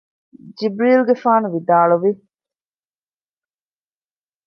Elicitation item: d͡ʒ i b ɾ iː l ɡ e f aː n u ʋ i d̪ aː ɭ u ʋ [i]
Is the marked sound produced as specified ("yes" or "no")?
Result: yes